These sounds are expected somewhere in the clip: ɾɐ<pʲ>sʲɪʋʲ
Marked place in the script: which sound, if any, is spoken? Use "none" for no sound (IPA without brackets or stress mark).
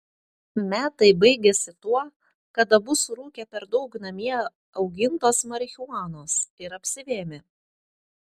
pʲ